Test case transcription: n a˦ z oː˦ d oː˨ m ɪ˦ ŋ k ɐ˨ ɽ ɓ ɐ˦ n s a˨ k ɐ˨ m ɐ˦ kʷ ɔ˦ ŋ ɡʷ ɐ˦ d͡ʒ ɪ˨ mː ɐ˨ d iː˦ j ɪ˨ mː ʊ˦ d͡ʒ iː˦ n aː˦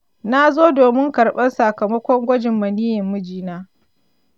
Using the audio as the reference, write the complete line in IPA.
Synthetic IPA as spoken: n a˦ z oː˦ d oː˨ m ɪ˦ ŋ k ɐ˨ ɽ ɓ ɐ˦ n s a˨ k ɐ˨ m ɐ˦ kʷ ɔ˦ ŋ ɡʷ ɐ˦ d͡ʒ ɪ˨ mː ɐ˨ n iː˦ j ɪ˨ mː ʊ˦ d͡ʒ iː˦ n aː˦